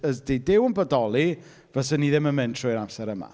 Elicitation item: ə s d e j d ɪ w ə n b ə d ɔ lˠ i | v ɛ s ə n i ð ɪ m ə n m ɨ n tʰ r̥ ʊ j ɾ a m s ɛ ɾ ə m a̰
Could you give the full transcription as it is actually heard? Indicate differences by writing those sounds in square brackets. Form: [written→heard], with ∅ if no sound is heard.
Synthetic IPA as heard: ə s d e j d ɪ w ə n b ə d ɔ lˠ i | v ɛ s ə n i ð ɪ m ə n m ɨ n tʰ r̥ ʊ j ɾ a m s ɛ ɾ ə m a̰